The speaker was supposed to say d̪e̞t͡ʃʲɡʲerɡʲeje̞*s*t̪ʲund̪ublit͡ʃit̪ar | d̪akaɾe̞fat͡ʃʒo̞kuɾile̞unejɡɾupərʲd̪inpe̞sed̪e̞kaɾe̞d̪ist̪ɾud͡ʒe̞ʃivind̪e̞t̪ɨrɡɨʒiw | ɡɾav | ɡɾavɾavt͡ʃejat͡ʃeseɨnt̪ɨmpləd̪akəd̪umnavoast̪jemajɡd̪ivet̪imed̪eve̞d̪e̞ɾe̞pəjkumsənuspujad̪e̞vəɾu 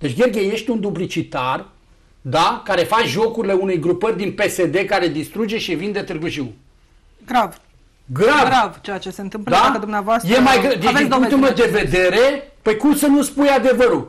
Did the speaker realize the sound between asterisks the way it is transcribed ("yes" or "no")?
no